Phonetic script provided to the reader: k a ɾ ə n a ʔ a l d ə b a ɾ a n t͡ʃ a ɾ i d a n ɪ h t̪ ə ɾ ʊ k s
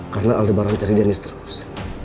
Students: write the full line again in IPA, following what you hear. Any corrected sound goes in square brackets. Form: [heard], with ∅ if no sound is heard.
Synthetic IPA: k a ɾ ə n a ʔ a l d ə b a ɾ a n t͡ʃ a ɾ i d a n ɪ [s] t̪ ə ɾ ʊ [∅] s